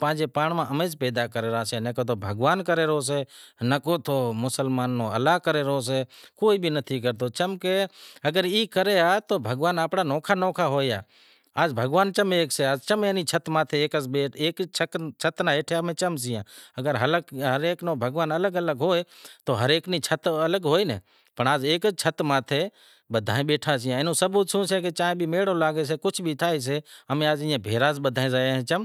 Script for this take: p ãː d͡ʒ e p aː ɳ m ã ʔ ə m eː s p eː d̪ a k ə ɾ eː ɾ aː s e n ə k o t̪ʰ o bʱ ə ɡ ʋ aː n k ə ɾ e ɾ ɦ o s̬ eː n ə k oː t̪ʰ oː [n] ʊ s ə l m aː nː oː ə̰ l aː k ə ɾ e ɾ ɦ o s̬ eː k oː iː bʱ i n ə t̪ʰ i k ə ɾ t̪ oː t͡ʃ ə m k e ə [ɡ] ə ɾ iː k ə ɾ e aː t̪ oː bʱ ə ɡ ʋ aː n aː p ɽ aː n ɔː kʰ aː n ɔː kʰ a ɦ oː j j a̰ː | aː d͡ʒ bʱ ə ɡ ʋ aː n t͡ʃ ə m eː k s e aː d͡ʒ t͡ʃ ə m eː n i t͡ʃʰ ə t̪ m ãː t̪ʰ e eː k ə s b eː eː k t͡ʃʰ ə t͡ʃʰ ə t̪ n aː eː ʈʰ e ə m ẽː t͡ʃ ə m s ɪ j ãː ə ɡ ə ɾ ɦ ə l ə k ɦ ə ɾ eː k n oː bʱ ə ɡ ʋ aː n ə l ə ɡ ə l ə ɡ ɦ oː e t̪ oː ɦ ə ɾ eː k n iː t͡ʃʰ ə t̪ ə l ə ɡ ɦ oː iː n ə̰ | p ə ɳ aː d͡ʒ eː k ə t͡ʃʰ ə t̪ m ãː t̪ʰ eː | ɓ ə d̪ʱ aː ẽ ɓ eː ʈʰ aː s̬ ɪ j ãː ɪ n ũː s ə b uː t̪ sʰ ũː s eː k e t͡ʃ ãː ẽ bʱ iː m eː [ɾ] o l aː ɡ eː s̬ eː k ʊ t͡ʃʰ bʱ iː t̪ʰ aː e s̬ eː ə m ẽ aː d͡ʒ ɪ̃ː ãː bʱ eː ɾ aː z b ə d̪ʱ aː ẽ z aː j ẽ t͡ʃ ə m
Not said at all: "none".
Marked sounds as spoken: m, ɡ, ɽ

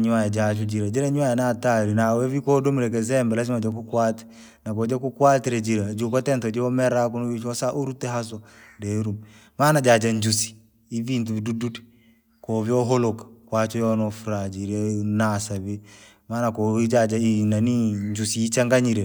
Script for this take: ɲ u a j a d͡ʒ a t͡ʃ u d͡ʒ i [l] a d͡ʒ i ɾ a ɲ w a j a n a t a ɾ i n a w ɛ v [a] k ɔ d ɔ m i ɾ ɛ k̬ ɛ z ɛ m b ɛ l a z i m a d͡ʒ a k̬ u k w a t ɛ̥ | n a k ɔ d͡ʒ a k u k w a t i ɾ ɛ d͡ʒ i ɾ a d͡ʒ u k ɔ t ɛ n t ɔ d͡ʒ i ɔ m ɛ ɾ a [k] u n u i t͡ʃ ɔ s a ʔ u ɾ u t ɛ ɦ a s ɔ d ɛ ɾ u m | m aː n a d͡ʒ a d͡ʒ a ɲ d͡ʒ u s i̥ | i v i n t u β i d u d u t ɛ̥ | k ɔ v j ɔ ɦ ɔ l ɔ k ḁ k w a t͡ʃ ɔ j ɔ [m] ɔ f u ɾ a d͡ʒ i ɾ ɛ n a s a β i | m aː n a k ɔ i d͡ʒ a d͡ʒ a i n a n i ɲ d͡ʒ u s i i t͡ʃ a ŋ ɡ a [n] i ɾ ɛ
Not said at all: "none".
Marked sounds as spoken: ɾ, i, k, n, ɲ

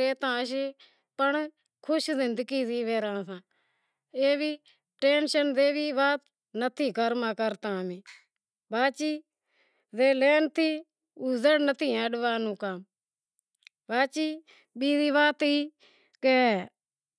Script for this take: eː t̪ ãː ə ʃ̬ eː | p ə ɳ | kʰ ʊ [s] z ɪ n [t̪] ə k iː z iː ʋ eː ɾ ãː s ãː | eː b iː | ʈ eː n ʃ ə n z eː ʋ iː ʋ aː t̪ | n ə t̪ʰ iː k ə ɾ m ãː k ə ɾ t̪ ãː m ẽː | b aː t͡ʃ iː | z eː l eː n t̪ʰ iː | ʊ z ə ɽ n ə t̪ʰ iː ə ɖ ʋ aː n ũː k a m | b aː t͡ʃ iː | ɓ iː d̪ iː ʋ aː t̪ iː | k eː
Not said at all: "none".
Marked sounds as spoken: ʃ, d̪

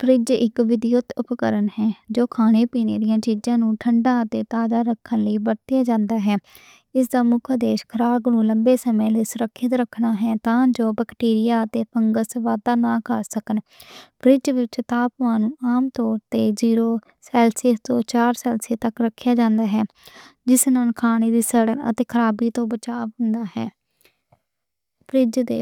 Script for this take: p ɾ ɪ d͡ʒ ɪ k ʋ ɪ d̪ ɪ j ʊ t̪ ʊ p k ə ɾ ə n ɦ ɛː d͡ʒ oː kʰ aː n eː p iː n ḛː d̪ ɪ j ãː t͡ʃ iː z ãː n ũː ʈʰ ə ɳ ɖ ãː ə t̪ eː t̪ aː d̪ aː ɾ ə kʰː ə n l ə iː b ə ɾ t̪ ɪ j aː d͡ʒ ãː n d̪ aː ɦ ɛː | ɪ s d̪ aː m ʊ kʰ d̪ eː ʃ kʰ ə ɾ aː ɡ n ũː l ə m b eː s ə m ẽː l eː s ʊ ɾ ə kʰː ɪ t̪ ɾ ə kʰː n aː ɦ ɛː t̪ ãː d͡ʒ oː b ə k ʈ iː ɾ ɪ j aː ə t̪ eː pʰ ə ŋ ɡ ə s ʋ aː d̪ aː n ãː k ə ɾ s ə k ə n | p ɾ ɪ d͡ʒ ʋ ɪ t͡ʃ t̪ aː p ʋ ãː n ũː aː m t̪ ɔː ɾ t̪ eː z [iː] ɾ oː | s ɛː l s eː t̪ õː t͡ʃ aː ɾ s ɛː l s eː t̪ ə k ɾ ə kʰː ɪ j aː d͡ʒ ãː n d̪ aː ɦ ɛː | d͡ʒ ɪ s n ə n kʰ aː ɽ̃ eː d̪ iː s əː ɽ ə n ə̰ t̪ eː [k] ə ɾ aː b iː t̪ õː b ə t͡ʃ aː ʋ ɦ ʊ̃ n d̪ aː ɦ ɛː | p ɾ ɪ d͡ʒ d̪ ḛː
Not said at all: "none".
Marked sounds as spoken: iː, kʰ

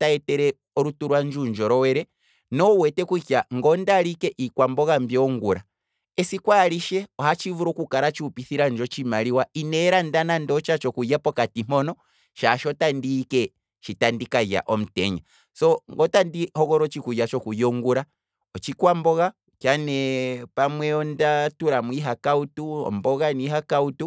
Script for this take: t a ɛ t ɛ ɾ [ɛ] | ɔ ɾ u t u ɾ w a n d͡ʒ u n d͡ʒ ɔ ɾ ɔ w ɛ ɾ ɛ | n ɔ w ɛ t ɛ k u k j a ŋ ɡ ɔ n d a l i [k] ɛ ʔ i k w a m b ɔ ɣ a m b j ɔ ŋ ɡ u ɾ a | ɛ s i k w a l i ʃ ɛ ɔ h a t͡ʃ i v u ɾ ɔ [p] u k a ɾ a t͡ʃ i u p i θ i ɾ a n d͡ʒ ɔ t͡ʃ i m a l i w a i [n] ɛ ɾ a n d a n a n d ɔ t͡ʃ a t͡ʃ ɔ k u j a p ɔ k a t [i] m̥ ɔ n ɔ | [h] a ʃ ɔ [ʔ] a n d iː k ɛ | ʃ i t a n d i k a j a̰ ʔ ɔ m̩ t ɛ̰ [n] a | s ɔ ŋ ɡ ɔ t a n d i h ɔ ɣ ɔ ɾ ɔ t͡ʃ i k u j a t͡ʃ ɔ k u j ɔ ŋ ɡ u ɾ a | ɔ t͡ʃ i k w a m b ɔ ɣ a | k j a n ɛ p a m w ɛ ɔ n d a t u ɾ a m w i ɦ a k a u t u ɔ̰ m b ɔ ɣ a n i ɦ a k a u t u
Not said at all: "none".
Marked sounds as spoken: ɛ, k, k, n, i, ʃ, t, ɲ

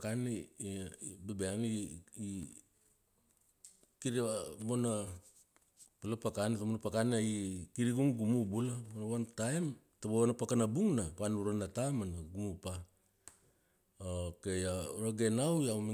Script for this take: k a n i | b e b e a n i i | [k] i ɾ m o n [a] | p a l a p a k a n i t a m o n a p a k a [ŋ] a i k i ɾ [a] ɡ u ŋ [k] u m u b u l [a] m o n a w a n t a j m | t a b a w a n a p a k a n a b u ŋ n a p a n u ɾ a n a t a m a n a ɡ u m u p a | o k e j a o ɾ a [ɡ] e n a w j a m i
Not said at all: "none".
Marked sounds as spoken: k, a, n, i, ɡ, a, ɡ

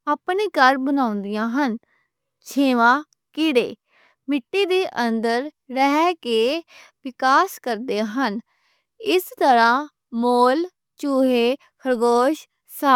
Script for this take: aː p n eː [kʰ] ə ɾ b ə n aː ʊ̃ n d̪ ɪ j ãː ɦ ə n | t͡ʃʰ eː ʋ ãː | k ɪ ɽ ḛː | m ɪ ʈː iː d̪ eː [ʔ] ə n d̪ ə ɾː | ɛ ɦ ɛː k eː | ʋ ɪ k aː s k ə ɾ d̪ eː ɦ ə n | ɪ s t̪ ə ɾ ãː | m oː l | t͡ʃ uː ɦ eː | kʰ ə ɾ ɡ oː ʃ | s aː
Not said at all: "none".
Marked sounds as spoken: k, ʔ

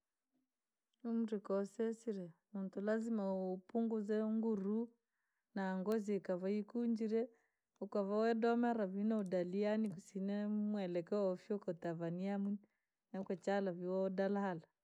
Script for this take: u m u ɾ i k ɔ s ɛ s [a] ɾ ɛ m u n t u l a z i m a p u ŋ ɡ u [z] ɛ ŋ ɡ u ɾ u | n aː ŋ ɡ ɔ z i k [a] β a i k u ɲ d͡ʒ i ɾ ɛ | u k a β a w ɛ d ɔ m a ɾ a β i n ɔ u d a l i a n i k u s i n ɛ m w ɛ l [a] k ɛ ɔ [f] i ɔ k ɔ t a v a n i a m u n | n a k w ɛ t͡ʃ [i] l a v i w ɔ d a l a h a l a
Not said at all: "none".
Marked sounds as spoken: i, z, a, ɛ, f, a

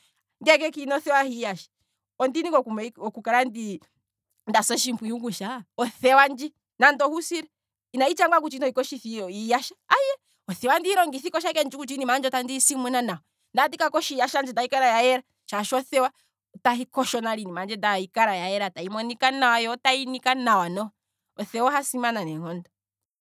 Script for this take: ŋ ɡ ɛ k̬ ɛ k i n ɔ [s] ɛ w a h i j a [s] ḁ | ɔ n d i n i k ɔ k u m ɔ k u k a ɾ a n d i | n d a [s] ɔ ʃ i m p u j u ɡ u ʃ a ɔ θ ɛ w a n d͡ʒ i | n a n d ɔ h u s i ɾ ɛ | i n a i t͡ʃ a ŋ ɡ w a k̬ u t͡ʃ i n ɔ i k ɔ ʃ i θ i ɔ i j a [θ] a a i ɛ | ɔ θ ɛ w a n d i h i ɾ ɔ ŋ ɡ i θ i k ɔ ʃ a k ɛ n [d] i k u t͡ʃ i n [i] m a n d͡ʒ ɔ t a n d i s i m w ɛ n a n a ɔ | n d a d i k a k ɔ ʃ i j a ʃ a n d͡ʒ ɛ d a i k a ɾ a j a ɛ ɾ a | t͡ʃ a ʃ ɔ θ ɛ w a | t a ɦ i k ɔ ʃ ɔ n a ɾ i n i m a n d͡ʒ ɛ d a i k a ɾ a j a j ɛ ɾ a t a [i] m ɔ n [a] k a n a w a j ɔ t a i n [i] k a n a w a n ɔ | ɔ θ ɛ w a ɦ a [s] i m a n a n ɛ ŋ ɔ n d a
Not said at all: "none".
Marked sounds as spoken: θ, ʃ, s, ʃ, d͡ʒ, i, i, i, i, s

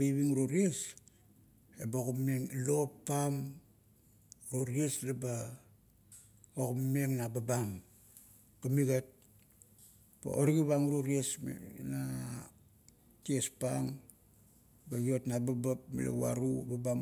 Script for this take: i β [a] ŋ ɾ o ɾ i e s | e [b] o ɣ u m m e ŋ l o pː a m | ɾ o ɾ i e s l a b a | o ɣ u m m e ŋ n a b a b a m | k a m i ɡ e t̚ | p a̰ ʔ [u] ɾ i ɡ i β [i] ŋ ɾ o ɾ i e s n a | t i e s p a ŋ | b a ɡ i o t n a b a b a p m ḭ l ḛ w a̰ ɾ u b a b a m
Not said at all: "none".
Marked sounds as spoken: i, b, o, a

